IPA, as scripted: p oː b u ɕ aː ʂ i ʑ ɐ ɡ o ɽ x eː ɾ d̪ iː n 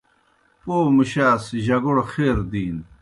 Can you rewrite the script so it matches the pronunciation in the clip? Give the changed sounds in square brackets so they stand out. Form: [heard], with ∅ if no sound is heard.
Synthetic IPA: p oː [m] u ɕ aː [s] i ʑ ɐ ɡ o ɽ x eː ɾ d̪ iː n

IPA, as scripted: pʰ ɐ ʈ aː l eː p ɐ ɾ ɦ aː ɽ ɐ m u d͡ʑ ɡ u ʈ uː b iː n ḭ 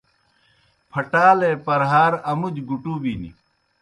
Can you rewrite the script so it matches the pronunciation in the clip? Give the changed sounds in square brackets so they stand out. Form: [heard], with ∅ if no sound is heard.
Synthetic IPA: pʰ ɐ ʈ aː l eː p ɐ ɾ ɦ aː [ɾ] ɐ m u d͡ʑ ɡ u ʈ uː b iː n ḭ

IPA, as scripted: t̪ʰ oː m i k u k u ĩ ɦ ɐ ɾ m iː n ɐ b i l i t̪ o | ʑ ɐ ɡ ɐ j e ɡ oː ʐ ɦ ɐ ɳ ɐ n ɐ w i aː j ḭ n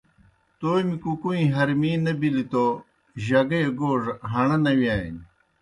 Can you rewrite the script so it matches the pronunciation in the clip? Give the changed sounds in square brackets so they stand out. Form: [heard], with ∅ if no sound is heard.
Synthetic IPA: [t̪] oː m i k u k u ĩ ɦ ɐ ɾ m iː n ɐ b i l i t̪ o | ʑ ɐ ɡ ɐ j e ɡ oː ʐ ɦ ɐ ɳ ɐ n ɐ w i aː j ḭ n

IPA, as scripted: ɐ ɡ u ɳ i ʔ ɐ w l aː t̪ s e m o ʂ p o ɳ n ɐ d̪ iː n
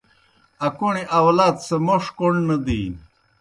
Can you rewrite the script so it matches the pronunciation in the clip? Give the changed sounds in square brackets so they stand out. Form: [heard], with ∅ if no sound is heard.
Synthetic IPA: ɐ [k] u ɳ i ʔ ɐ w l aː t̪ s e m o ʂ [k] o ɳ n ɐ d̪ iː n

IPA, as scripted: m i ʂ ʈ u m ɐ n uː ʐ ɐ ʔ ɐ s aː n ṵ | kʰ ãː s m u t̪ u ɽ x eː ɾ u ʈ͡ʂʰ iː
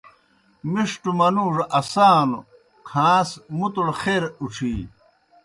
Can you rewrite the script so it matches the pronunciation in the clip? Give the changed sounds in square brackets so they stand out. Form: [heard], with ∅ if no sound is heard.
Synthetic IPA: m i ʂ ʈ u m ɐ n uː ʐ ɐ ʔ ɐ s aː n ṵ | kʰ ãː s m u t̪ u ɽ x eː ɾ u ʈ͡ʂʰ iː

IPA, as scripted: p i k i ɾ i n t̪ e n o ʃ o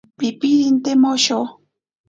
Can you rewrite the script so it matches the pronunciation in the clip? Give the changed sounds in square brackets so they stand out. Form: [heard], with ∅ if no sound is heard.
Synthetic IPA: p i [p] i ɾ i n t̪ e [m] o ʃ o

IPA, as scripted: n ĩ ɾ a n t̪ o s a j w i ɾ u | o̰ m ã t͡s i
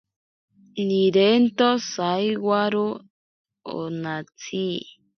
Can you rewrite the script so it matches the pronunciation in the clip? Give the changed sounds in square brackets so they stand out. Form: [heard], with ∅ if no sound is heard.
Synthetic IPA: n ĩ ɾ [e] n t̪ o s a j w [a] ɾ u | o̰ [n] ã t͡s i

